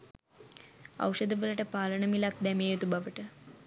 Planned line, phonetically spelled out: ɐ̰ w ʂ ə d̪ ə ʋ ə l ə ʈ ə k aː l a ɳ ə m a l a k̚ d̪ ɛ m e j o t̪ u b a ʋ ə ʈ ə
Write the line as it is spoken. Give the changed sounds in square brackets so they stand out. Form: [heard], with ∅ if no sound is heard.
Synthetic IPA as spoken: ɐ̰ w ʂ ə d̪ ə ʋ ə l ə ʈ ə [p] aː l [ə] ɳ ə m [i] l a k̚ d̪ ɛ m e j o t̪ u b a ʋ ə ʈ ə